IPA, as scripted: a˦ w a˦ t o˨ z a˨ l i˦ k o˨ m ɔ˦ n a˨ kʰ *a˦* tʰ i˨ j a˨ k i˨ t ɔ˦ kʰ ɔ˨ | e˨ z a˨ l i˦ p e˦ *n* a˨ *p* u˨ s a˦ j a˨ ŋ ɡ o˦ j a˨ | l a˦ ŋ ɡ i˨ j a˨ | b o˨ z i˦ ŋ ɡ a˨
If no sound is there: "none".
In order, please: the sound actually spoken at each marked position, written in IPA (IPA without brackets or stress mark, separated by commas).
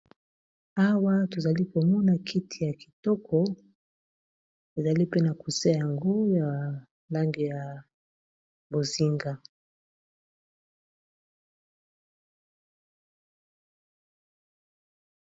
i˦, n, k